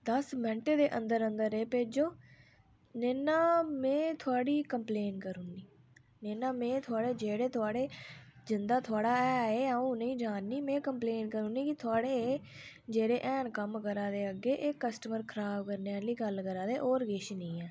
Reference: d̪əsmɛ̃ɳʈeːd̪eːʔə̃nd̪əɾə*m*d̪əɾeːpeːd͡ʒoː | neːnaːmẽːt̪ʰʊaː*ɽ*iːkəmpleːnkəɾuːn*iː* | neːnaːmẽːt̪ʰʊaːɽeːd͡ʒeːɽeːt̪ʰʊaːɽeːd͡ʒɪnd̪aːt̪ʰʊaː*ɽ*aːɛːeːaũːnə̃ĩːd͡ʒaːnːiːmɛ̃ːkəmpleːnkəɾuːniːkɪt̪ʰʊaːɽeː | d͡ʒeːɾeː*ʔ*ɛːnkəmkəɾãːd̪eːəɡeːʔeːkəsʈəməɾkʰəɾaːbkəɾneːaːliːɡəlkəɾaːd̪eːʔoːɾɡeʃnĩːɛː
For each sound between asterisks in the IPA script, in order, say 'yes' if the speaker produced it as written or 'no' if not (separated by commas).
no, yes, yes, yes, yes